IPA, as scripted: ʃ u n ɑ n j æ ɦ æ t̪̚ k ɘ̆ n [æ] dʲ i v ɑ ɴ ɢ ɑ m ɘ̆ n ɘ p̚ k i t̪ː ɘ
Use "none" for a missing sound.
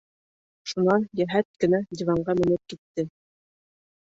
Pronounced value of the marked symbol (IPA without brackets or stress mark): æ